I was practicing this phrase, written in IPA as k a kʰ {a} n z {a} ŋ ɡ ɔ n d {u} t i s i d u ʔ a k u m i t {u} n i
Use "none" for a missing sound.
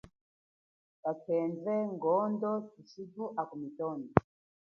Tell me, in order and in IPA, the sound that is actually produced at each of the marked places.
ɛ, ɛ, ɔ, ɔ

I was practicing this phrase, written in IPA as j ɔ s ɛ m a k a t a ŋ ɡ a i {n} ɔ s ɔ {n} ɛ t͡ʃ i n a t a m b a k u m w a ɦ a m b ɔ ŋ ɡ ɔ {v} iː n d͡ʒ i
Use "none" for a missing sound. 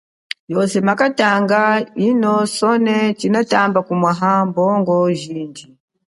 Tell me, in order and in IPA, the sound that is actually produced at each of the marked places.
n, n, ʒ

